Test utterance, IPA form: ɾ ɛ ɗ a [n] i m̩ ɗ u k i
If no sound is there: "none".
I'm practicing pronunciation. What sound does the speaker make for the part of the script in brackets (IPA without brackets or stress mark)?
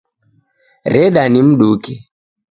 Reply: n